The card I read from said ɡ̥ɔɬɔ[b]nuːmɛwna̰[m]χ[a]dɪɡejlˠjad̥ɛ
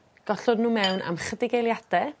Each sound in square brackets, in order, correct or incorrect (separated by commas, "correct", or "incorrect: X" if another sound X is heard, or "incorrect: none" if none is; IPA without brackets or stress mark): incorrect: d, correct, incorrect: ə